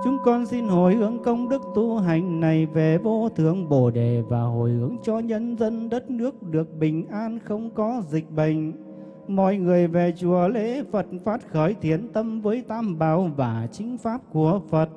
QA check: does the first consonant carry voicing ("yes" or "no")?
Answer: no